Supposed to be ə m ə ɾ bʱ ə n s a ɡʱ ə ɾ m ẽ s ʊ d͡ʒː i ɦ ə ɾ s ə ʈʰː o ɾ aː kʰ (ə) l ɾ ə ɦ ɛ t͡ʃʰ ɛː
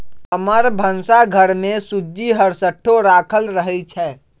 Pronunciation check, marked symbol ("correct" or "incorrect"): correct